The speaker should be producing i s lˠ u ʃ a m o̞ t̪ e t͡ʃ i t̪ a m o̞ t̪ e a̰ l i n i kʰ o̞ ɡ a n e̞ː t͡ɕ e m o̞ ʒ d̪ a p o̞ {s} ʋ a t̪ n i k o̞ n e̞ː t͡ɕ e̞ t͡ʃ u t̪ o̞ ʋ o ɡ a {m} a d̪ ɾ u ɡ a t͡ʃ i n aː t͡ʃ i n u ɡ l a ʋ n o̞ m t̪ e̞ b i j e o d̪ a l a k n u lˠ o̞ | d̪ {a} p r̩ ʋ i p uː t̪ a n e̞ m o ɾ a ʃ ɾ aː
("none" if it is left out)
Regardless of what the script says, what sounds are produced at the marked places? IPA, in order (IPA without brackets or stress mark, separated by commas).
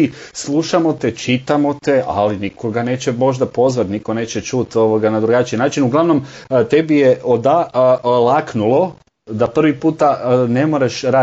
z, n, a